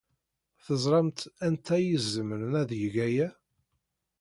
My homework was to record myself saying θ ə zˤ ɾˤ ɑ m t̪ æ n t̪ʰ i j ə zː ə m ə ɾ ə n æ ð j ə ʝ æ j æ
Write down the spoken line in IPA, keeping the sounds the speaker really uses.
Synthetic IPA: θ ə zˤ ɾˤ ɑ m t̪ æ n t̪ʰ æ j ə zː ə m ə ɾ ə n æ ð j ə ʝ æ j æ